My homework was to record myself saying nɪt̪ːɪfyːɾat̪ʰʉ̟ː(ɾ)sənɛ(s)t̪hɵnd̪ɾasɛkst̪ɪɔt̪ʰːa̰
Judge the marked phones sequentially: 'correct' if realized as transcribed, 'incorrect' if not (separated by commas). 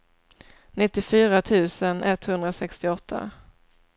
incorrect, incorrect